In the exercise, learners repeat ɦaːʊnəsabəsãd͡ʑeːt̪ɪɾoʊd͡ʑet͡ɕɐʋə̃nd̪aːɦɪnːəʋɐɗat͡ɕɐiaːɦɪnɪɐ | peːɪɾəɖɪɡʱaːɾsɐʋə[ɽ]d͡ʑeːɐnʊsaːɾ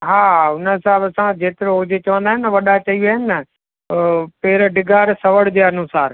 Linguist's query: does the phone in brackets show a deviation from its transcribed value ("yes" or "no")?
no